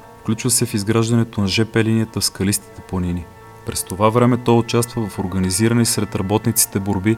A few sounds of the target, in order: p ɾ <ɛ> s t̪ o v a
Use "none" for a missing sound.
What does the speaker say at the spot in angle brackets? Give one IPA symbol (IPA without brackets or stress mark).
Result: ɛ